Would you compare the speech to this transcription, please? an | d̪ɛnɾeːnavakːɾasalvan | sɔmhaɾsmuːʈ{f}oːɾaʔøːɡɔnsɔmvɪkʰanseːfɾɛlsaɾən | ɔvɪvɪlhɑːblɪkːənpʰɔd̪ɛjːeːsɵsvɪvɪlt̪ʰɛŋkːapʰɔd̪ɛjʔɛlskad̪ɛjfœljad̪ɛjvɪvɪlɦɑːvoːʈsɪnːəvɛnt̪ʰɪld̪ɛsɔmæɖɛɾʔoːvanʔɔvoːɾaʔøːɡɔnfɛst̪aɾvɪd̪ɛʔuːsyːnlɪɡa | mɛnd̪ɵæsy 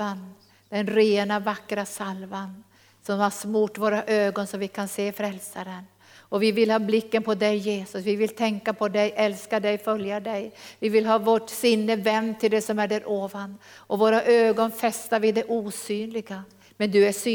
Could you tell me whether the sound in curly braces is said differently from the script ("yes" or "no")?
yes